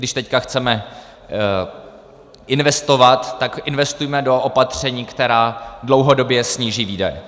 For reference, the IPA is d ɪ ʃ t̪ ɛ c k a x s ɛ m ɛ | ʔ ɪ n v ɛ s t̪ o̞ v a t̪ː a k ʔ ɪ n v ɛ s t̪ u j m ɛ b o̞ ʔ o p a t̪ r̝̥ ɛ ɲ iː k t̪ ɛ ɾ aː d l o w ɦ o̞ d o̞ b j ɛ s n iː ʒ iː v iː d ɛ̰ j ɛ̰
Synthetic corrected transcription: d ɪ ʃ t̪ ɛ c k a x t͡s ɛ m ɛ | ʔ ɪ n v ɛ s t̪ o̞ v a t̪ː a k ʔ ɪ n v ɛ s t̪ u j m ɛ d o̞ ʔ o p a t̪ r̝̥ ɛ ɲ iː k t̪ ɛ ɾ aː d l o w ɦ o̞ d o̞ b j ɛ s ɲ iː ʒ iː v iː d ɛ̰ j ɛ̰